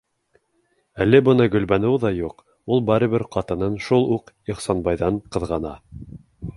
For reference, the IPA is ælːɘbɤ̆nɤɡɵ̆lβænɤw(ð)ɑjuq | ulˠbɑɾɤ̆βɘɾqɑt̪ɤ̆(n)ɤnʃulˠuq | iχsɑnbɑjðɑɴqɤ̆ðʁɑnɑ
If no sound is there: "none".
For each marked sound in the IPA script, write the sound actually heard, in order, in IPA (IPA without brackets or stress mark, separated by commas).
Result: ð, n